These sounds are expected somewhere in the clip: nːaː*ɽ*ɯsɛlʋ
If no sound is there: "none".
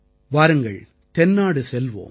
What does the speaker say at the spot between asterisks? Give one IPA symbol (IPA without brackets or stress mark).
ɽ